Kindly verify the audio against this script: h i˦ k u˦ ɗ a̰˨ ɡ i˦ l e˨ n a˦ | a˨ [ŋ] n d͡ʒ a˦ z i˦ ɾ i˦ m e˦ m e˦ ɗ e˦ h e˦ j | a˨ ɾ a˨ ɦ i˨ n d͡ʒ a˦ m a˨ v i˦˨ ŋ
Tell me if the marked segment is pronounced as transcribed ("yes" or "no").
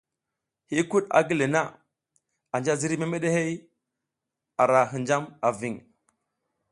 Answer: no